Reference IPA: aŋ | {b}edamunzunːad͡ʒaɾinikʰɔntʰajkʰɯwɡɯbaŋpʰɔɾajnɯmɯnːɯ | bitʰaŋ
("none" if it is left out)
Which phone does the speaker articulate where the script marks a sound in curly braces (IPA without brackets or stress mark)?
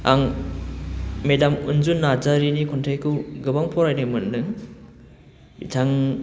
m